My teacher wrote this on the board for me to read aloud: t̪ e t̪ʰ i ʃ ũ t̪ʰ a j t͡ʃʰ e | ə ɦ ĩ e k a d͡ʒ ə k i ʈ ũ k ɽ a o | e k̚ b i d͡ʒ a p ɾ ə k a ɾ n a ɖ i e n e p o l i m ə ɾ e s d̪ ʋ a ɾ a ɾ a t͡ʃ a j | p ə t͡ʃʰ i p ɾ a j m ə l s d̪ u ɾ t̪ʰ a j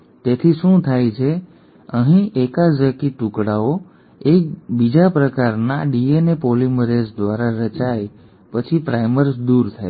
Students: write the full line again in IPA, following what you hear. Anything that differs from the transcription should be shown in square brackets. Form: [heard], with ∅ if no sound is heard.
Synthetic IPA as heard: t̪ e t̪ʰ i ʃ ũ t̪ʰ a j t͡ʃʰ e | ə ɦ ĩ e k a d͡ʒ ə k i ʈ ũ k ɽ a o | e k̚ b i d͡ʒ a p ɾ ə k a ɾ n a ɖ i e n e p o l i m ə ɾ e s d̪ ʋ a ɾ a ɾ [ə] t͡ʃ a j | p ə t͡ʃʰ i p ɾ a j m ə [ɾ] s d̪ u ɾ t̪ʰ a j